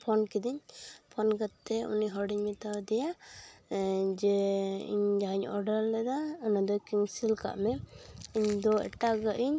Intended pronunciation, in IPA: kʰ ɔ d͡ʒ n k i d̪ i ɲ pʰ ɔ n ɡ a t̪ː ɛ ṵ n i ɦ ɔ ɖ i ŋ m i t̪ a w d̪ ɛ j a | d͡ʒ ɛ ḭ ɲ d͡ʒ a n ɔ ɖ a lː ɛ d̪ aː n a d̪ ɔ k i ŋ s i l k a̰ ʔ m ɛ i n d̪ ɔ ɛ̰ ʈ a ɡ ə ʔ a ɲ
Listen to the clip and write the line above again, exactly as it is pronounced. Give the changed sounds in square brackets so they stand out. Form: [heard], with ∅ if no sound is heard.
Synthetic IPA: [pʰ] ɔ [∅] n k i d̪ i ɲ pʰ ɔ n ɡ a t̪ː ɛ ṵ n i ɦ ɔ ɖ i [ɲ] m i t̪ a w d̪ ɛ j a | d͡ʒ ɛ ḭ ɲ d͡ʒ a [ɲ] ɔ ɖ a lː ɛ d̪ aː n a d̪ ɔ k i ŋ s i l k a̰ ʔ m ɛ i [ɲ] d̪ ɔ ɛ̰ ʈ a ɡ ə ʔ [i] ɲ